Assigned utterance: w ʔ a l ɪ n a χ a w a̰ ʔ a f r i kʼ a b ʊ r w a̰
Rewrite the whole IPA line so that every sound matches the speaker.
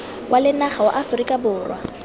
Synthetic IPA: w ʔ a l ɪ n a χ a w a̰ ʔ a f r i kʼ a b ʊː r w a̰